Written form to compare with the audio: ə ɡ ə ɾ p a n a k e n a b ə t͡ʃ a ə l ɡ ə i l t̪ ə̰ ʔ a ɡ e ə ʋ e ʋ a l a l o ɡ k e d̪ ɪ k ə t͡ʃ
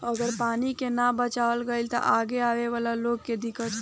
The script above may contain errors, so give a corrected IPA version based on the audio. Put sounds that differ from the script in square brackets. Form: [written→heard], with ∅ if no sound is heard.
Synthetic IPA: ə ɡ ə ɾ p a n [a→i] k e n a b ə t͡ʃ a ə l ɡ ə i l t̪ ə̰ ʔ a ɡ e [ə→a] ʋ e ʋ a l a l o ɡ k e d̪ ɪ k ə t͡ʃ

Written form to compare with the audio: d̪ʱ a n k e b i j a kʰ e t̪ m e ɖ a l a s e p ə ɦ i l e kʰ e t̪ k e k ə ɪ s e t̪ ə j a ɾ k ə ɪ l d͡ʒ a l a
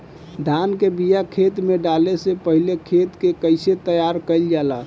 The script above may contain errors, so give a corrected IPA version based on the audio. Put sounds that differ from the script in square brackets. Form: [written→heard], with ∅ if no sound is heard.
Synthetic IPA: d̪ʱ a n k e b i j a kʰ e t̪ m e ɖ a l [a→e] s e p ə ɦ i l e kʰ e t̪ k e k ə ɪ s e t̪ ə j a ɾ k ə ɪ l d͡ʒ a l a

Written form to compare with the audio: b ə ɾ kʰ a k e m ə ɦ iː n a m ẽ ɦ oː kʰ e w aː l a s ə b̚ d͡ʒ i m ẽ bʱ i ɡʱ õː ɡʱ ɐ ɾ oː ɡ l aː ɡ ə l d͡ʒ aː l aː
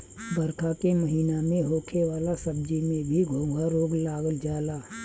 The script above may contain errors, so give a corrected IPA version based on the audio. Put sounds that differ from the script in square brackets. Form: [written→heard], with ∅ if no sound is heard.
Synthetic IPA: b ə ɾ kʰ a k e m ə ɦ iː n a m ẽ ɦ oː kʰ e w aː l a s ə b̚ d͡ʒ i m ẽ bʱ i ɡʱ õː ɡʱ [ɐ→a] ɾ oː ɡ l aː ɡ ə l d͡ʒ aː l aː

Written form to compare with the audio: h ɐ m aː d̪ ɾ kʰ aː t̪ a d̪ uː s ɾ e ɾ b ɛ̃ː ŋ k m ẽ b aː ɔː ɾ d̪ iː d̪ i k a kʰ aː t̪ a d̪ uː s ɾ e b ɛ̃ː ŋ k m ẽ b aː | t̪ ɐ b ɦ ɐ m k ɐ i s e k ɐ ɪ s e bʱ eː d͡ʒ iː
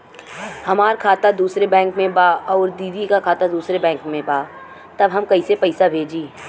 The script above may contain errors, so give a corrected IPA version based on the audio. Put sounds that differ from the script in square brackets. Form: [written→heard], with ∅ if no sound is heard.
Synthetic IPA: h ɐ m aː [d̪→∅] ɾ kʰ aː t̪ a d̪ uː s ɾ e [ɾ→∅] b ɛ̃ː ŋ k m ẽ b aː ɔː ɾ d̪ iː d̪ i k a kʰ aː t̪ a d̪ uː s ɾ e b ɛ̃ː ŋ k m ẽ b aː | t̪ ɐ b ɦ ɐ m k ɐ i s e [k→p] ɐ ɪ s [e→a] bʱ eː d͡ʒ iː

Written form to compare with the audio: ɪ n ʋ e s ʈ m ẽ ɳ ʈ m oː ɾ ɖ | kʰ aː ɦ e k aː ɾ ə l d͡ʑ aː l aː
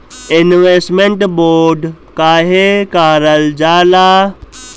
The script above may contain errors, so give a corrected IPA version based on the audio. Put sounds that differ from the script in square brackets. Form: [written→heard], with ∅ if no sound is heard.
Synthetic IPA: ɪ n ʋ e s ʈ m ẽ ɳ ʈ [m→b] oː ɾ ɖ | [kʰ→k] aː ɦ e k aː ɾ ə l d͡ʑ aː l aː

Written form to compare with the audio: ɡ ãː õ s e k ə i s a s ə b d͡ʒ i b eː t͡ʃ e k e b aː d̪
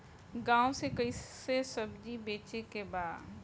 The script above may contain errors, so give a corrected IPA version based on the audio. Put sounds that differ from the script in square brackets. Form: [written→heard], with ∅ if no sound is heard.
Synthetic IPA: ɡ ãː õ s e k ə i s [a→e] s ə b d͡ʒ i b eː t͡ʃ e k e b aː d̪

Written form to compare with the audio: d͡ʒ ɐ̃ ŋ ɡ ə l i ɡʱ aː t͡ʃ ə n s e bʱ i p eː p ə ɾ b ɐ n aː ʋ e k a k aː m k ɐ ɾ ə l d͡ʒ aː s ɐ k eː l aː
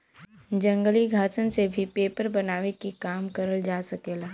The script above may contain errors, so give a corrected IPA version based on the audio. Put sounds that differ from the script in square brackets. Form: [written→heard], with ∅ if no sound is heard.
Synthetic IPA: d͡ʒ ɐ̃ ŋ ɡ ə l i ɡʱ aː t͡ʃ ə n s e bʱ i p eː p ə ɾ b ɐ n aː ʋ e k [a→i] k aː m k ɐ ɾ ə l d͡ʒ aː s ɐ k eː l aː

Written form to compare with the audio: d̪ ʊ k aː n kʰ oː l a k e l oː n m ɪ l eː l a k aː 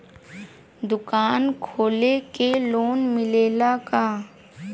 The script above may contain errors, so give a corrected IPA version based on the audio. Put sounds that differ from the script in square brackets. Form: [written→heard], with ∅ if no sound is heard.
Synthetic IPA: d̪ ʊ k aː n kʰ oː l [a→e] k e l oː n m ɪ l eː l a k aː

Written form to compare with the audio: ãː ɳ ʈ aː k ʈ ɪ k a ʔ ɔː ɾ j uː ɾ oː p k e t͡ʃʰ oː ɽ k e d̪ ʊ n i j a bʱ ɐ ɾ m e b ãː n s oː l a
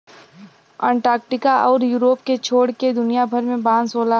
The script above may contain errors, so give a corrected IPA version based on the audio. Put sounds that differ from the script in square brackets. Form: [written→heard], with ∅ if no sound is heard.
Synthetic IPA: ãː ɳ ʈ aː k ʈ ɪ k a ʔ ɔː ɾ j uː ɾ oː p k e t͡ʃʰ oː ɽ k e d̪ ʊ n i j a bʱ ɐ ɾ m [e→ẽ] b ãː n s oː l a

